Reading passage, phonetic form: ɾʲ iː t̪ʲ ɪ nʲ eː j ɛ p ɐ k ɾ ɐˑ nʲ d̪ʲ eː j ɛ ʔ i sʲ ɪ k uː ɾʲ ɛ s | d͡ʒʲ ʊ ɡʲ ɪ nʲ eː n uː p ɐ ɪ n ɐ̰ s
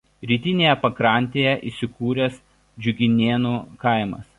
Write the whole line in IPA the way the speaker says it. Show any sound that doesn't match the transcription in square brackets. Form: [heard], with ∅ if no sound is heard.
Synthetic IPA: ɾʲ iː t̪ʲ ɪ nʲ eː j ɛ p ɐ k ɾ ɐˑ nʲ [t̪ʲ] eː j ɛ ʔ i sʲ ɪ k uː ɾʲ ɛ s | d͡ʒʲ ʊ ɡʲ ɪ nʲ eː n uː [k] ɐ ɪ [m] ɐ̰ s